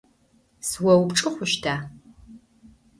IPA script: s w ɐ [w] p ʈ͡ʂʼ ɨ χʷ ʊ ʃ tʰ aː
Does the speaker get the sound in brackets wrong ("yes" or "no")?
no